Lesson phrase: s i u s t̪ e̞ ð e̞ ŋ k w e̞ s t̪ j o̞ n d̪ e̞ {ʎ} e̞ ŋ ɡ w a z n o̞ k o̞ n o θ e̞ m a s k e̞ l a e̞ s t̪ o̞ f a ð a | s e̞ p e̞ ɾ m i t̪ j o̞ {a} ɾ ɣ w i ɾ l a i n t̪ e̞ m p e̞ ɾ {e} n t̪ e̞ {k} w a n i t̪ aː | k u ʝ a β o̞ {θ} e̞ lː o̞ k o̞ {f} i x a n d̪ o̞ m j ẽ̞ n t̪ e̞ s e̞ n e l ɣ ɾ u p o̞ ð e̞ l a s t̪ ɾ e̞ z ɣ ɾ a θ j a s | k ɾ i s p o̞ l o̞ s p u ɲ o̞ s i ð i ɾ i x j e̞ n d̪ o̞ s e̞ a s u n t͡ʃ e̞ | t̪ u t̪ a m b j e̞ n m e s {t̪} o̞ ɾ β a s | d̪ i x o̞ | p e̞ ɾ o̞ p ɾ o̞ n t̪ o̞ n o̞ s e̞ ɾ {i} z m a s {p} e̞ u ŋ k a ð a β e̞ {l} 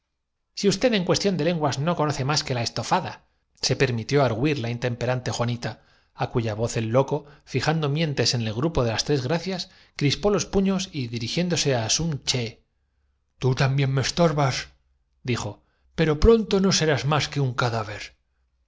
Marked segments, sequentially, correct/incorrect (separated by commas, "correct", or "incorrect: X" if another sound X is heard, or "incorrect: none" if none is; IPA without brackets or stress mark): incorrect: l, correct, incorrect: a, incorrect: x, correct, correct, correct, incorrect: a, incorrect: k, incorrect: ɾ